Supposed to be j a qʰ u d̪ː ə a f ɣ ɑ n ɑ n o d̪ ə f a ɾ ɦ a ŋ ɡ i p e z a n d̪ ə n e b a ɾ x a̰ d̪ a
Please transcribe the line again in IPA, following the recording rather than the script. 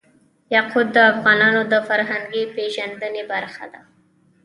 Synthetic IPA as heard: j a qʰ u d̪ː ə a f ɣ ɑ n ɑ n o d̪ ə f a ɾ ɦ a ŋ ɡ i p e ʒ a n d̪ ə n e b a ɾ x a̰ d̪ a